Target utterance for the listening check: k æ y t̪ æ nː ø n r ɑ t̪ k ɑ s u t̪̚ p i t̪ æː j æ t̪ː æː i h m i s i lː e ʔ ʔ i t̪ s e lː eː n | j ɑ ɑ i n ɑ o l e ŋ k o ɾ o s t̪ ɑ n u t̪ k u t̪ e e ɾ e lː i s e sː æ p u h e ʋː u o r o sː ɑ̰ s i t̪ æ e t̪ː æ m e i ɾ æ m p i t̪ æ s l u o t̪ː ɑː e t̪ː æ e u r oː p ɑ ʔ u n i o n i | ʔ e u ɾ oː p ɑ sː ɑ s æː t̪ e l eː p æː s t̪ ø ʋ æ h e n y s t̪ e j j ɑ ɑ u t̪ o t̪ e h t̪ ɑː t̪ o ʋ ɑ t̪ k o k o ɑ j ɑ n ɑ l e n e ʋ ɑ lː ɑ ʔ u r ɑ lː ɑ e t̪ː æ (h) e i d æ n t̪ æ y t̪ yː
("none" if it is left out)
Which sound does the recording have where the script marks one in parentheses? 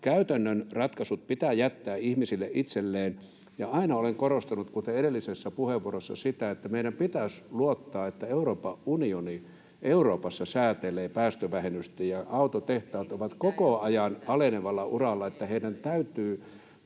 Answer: h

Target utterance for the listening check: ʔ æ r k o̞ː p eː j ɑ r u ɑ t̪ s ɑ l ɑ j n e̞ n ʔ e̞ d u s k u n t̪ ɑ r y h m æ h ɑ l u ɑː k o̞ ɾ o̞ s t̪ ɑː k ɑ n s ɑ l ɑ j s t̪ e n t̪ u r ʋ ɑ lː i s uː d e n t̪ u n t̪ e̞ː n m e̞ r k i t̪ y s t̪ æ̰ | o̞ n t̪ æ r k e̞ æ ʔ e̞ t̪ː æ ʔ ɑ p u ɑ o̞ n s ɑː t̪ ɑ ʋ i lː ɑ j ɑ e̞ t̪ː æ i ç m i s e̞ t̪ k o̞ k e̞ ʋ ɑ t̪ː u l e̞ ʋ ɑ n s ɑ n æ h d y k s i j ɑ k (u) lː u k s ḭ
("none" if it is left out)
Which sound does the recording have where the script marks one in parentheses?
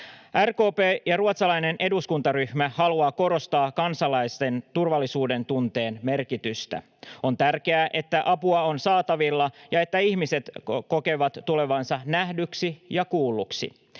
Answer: uː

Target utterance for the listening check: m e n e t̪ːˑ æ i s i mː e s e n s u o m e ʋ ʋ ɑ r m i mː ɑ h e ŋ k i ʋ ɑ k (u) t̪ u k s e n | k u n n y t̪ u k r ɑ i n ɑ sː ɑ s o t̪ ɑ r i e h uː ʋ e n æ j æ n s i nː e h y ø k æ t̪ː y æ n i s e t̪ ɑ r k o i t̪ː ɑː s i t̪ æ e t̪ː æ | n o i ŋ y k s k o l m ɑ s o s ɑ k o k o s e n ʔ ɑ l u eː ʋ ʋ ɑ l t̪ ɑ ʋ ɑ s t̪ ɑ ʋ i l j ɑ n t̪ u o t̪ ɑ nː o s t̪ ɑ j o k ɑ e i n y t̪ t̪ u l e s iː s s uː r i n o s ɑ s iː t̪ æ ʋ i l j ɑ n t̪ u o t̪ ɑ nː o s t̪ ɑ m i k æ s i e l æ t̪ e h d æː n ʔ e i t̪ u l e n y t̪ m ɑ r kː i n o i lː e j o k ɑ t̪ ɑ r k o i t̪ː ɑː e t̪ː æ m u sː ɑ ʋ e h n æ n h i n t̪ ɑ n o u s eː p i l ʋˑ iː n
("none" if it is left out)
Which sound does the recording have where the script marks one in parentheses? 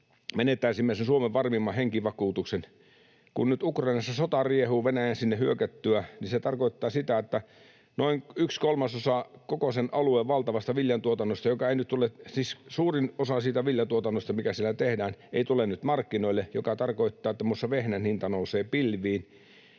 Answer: uː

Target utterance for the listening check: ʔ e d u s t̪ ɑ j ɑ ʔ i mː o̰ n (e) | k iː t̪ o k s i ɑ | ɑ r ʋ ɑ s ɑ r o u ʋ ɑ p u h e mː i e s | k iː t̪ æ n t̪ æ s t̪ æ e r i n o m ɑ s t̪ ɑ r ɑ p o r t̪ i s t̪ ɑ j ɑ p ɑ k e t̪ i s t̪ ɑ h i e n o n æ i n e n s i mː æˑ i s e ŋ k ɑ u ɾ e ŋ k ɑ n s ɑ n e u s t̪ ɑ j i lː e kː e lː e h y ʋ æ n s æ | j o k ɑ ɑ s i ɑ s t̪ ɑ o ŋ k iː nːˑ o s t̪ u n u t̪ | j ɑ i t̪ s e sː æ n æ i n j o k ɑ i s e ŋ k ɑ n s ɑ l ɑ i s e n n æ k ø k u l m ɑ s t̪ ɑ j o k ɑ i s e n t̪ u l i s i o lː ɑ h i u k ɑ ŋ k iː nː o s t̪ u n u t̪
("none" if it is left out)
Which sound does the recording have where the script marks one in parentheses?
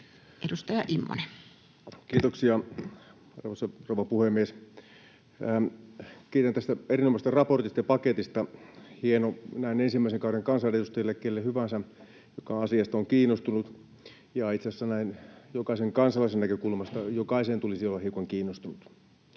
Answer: e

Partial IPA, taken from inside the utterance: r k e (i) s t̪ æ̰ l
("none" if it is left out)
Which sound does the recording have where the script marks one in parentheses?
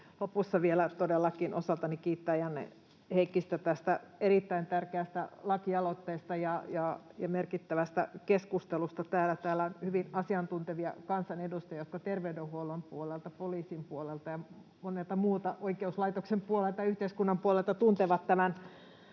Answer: æ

